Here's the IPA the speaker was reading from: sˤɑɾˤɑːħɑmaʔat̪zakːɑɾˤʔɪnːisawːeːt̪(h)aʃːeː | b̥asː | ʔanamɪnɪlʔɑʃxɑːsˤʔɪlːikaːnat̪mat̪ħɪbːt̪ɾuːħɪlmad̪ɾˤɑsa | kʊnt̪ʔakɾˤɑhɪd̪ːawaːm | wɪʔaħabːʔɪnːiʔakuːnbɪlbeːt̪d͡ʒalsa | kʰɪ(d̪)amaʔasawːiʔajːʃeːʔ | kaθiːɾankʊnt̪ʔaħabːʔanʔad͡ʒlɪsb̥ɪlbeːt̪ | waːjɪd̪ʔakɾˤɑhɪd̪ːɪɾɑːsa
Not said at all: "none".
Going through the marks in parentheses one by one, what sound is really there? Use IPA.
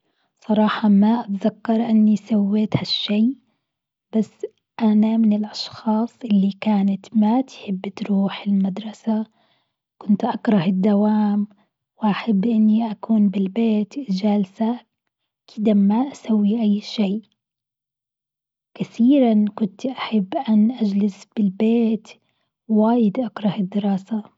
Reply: h, d̪

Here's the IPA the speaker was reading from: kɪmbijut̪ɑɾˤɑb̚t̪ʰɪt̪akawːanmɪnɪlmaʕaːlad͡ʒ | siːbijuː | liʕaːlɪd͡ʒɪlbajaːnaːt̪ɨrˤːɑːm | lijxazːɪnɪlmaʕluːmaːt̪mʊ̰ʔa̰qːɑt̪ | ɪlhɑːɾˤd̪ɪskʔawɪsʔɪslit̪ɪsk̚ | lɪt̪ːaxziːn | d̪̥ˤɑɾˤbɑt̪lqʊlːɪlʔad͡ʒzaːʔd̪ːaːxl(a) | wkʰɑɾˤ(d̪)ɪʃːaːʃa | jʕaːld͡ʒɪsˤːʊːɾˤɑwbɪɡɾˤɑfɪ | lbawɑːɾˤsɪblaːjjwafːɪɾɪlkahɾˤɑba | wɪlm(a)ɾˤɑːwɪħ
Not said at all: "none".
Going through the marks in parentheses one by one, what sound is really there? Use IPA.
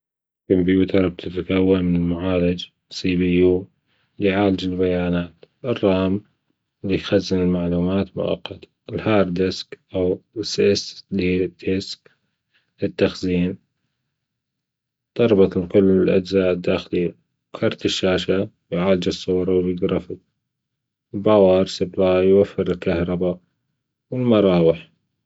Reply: i, t̪, ɑ

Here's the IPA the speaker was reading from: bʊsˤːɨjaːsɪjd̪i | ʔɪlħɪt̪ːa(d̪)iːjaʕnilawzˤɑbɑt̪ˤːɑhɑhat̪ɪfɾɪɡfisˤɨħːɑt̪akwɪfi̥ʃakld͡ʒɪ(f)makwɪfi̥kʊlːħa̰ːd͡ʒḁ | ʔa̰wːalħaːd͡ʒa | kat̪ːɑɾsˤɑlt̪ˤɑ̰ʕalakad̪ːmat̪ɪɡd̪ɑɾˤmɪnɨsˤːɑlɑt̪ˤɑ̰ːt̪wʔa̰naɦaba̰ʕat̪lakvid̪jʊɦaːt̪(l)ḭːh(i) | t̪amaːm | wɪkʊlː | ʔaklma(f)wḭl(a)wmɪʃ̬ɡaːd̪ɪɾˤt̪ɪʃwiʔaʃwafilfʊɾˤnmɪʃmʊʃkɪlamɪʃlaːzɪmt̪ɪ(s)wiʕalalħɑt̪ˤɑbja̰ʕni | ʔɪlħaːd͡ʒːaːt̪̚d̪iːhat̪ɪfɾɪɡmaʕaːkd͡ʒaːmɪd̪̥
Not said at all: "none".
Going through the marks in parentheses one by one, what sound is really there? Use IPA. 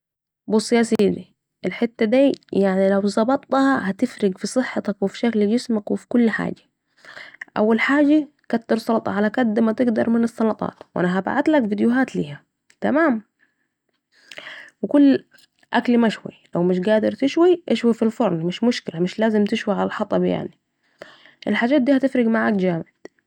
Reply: d̪, s, l, a, ʃ, a, ʃ

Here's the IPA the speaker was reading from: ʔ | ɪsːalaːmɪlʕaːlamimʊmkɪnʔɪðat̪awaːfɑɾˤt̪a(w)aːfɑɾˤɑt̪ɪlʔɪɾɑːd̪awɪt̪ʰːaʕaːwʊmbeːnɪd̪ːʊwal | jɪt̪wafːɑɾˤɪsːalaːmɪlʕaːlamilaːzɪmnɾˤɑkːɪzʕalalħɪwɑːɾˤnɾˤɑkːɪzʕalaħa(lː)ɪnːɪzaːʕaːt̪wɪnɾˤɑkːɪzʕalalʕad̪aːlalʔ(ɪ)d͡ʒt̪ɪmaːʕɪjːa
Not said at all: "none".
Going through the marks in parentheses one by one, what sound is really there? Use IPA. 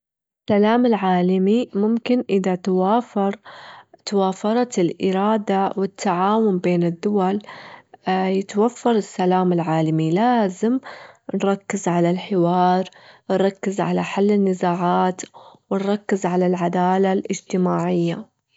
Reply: w, lː, ɪ

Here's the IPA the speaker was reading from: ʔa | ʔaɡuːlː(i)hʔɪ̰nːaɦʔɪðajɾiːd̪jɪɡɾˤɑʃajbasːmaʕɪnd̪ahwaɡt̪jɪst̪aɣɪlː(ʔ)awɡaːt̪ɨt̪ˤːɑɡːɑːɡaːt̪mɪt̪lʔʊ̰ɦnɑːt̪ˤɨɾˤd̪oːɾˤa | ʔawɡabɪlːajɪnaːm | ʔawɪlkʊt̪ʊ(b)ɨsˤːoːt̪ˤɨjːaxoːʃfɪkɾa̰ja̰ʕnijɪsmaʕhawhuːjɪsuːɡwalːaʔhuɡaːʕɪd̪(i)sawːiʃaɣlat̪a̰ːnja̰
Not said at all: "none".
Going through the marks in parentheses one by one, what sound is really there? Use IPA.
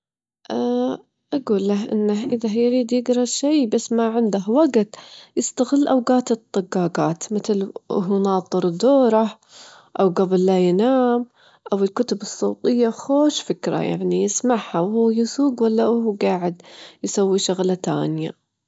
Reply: a, ʔ, b, j

